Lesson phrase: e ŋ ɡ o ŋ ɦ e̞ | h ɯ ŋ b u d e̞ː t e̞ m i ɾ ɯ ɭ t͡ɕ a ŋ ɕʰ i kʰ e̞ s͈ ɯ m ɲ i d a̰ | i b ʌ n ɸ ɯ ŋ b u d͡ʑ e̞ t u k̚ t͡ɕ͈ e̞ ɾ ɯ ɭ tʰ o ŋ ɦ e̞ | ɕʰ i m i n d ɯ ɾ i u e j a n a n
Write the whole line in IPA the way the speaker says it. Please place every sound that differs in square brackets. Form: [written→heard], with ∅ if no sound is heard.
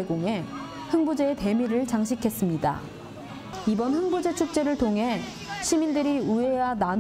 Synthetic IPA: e [ŋ→∅] ɡ o ŋ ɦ e̞ | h ɯ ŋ b u [d→d͡ʑ] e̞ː t e̞ m i ɾ ɯ ɭ t͡ɕ a ŋ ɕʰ i kʰ e̞ s͈ ɯ m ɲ i d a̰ | i b ʌ n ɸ ɯ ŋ b u d͡ʑ e̞ [t→t͡ɕʰ] u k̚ t͡ɕ͈ e̞ ɾ ɯ ɭ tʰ o ŋ ɦ e̞ | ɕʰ i m i n d ɯ ɾ i u e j a n a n

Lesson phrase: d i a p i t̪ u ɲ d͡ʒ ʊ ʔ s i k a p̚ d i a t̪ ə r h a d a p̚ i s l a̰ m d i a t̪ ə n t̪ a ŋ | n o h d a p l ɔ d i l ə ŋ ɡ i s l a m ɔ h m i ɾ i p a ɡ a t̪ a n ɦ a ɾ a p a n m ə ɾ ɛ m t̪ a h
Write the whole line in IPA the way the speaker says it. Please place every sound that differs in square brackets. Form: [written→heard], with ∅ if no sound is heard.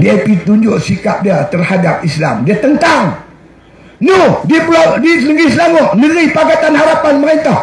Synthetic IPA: d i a p i t̪ u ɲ d͡ʒ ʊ ʔ s i k a p̚ d i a t̪ ə r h a d a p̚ i s l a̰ m d i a t̪ ə n t̪ a ŋ | n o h d [a→i] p l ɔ d i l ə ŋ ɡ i s l a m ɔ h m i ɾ i p a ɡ a t̪ a n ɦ a ɾ a p a n m ə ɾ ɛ [m→n] t̪ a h

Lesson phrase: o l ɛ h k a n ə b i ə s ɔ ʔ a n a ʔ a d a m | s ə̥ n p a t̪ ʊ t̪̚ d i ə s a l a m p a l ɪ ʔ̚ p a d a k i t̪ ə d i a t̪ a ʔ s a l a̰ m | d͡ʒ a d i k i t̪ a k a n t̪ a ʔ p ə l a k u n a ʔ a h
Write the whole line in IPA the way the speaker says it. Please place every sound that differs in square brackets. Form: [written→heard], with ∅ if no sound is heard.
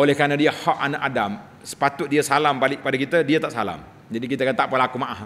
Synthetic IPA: o l ɛ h k a n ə [b→d] i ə [s→h] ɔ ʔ a n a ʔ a d a m | s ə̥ [n→∅] p a t̪ ʊ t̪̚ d i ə s a l a m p a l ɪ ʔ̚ p a d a k i t̪ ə d i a t̪ a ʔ s a l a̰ m | d͡ʒ a d i k i t̪ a k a n t̪ a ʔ p ə l a k u [n→m] a ʔ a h

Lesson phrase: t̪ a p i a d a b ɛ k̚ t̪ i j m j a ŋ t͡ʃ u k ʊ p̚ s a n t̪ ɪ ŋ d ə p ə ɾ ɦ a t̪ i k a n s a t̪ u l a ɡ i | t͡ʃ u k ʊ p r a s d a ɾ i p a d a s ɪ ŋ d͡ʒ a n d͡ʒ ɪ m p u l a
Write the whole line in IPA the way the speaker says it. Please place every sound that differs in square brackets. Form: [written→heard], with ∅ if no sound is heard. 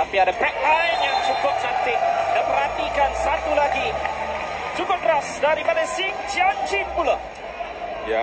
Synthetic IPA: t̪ a p i a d a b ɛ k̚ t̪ [i→a] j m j a ŋ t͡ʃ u k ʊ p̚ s a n t̪ ɪ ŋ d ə p ə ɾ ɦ a t̪ i k a n s a t̪ u l a ɡ i | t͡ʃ u k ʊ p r a s d a ɾ i p a d a s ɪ ŋ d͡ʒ a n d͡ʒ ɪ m p u l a

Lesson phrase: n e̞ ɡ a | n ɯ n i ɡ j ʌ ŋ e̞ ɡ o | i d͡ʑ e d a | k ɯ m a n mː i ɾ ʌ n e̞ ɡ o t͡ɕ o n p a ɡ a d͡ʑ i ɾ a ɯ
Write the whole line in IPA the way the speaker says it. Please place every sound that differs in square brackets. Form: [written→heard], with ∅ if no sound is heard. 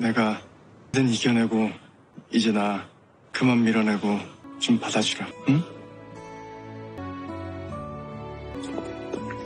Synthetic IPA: n e̞ ɡ a | [n→d] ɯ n i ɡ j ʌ [ŋ→n] e̞ ɡ o | i d͡ʑ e [d→n] a | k ɯ m a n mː i ɾ ʌ n e̞ ɡ o t͡ɕ o [n→m] p a [ɡ→d] a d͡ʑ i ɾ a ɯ

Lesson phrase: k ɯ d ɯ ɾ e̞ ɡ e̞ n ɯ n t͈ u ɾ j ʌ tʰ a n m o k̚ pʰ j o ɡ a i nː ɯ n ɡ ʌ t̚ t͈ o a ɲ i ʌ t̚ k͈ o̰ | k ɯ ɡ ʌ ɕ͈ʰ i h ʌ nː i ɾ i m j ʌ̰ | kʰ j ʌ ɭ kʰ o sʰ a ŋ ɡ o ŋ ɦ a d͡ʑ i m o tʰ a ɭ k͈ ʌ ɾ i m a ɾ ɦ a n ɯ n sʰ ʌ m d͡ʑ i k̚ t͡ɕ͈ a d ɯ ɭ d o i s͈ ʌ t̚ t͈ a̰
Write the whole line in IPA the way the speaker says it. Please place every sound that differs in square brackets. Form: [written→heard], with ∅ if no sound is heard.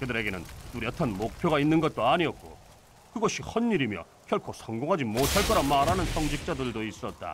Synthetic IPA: k ɯ d ɯ ɾ e̞ ɡ e̞ n ɯ n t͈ u ɾ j ʌ tʰ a n m o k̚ pʰ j o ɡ a i nː ɯ n ɡ ʌ t̚ t͈ o a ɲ i ʌ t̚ k͈ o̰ | k ɯ ɡ ʌ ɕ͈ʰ i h ʌ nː i ɾ i m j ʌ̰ | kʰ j ʌ ɭ kʰ o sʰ [a→ʌ] ŋ ɡ o ŋ ɦ a d͡ʑ i m o tʰ a ɭ k͈ ʌ ɾ [i→a] m a ɾ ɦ a n ɯ n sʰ ʌ [m→ŋ] d͡ʑ i k̚ t͡ɕ͈ a d ɯ ɭ d o i s͈ ʌ t̚ t͈ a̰

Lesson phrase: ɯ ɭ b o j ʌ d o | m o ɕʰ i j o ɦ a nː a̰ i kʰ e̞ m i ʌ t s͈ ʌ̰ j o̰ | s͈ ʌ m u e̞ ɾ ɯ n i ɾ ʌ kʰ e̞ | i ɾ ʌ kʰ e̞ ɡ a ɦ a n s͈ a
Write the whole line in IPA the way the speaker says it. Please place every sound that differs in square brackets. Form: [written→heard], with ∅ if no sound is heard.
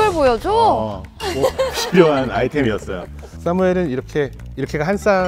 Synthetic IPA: ɯ ɭ b o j ʌ [d→d͡ʑ] o | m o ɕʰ i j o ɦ a [nː→n] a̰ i [kʰ→tʰ] e̞ m i ʌ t s͈ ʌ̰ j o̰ | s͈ [ʌ→a] m u e̞ ɾ ɯ n i ɾ ʌ kʰ e̞ | i ɾ ʌ kʰ e̞ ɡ a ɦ a n s͈ a

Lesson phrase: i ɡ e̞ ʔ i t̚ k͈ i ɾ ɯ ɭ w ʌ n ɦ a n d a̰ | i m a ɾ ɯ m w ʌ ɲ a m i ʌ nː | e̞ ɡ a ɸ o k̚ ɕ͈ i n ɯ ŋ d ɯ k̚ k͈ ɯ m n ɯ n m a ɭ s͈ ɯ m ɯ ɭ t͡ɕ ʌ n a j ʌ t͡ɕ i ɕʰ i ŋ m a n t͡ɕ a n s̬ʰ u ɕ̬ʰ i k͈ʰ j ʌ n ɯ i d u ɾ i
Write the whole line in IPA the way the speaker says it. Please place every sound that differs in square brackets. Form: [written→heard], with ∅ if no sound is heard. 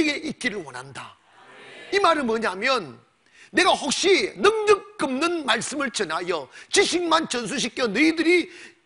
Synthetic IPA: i ɡ e̞ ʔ i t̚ k͈ i ɾ ɯ ɭ w ʌ n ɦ a n d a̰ | i m a ɾ ɯ m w ʌ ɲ a m [i→j] ʌ nː | e̞ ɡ a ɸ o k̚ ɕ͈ i n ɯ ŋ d ɯ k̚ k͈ ɯ m n ɯ n m a ɭ s͈ ɯ m ɯ ɭ t͡ɕ ʌ n a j ʌ t͡ɕ i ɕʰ i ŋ m a n t͡ɕ [a→ʌ] n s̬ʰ u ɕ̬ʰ i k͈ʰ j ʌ n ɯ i d [u→ɯ] ɾ i

